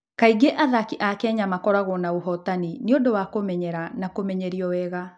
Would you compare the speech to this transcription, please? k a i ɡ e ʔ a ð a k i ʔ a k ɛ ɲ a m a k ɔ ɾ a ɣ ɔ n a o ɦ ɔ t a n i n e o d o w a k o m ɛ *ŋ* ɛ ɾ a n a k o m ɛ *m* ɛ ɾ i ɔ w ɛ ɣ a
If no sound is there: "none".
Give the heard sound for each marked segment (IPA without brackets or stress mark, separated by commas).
ɲ, ɲ